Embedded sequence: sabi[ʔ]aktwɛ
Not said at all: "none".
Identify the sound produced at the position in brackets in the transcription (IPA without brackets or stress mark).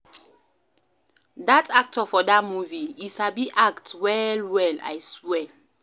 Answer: ʔ